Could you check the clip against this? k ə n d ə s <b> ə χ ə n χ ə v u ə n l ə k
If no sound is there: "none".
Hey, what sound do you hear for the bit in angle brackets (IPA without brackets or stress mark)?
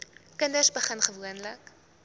b